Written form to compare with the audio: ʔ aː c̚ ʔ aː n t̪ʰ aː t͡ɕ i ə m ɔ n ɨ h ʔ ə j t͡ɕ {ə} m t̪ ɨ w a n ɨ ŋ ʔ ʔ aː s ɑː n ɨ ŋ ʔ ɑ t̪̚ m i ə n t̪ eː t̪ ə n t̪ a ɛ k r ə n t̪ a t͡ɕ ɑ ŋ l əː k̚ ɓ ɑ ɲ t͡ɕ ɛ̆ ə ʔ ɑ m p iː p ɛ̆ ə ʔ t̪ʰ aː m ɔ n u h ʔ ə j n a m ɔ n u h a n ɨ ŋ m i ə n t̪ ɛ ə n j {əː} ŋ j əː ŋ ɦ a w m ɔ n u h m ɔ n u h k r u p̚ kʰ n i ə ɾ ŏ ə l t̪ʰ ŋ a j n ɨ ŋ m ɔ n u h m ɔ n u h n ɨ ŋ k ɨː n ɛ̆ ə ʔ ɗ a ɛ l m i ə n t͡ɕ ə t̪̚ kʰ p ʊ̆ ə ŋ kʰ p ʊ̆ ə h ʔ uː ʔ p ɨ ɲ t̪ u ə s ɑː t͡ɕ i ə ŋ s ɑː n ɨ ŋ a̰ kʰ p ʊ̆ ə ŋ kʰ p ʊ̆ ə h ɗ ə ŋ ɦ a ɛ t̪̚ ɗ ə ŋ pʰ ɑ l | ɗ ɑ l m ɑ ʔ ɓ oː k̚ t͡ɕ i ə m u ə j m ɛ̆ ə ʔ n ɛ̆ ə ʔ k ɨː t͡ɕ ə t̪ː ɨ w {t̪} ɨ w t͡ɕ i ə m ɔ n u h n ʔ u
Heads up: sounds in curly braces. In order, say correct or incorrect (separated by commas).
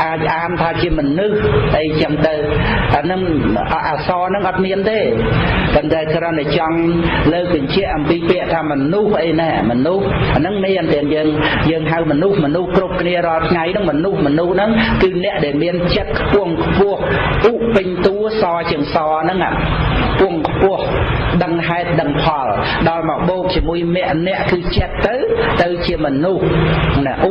correct, correct, correct